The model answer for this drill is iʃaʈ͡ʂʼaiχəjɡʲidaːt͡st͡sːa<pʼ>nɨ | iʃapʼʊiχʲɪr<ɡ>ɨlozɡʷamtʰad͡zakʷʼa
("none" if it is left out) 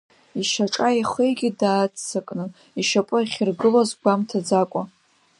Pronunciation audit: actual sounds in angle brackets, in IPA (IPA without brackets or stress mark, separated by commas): kʼ, ɡ